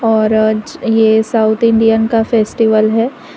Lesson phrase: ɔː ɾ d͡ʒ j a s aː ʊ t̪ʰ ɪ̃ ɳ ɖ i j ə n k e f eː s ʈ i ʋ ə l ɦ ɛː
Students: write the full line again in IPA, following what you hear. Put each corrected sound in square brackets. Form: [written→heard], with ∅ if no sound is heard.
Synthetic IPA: ɔː ɾ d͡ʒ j [a→e] s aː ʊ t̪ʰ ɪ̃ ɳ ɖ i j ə n k [e→a] f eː s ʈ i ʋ ə l ɦ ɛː